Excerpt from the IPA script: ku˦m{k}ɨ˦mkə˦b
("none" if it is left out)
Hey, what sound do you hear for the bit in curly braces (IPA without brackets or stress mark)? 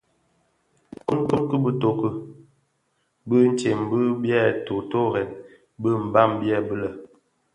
k